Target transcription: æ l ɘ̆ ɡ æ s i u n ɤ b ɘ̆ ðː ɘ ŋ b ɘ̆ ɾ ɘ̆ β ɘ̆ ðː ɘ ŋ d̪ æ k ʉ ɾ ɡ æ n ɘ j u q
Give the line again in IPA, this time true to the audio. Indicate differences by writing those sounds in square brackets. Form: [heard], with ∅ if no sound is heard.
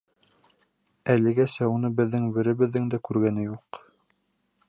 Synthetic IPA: æ l ɘ̆ ɡ æ s [æ] u n ɤ b ɘ̆ ðː ɘ ŋ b ɘ̆ ɾ ɘ̆ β ɘ̆ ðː ɘ ŋ d̪ æ k ʉ ɾ ɡ æ n ɘ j u q